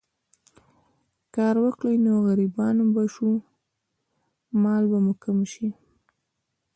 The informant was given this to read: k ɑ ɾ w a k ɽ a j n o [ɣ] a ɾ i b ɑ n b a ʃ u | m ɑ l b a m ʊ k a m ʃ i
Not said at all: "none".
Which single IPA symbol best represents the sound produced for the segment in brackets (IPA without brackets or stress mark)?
ɣ